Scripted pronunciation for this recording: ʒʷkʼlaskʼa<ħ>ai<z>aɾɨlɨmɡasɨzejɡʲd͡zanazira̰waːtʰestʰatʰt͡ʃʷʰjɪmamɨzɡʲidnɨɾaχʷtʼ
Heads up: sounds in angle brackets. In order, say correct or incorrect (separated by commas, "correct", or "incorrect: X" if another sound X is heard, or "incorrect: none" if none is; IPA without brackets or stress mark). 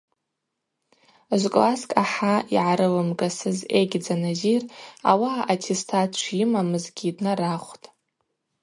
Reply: correct, incorrect: ʕ